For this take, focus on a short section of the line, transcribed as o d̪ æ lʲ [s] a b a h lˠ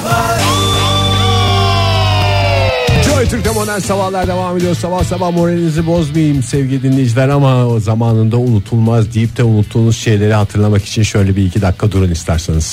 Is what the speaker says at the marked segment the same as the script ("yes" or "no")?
yes